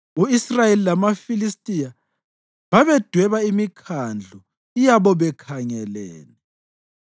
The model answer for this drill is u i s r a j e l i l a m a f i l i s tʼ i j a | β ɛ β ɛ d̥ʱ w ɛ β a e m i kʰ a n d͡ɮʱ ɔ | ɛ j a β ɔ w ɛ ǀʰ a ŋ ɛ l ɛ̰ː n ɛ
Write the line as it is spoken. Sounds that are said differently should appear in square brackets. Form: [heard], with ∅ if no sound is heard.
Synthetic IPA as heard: u i s r a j e l i l a m a f i l i s tʼ i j a | β [a] β ɛ d̥ʱ w ɛ β a [i] m i kʰ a n d͡ɮʱ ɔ | [i] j a β ɔ [β] ɛ [kʰ] a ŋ ɛ l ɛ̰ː n ɛ